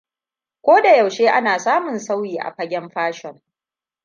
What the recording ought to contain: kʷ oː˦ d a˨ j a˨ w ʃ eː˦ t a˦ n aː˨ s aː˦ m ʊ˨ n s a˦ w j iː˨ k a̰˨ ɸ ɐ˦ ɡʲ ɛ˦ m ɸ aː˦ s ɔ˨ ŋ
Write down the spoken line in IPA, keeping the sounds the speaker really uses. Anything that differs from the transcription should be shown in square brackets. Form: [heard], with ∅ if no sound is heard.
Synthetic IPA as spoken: kʷ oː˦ d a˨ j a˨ w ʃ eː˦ [ʔ] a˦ n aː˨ s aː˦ m ʊ˨ n s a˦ w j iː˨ [ʔ] a̰˨ ɸ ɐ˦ ɡʲ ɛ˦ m ɸ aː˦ [ʃ] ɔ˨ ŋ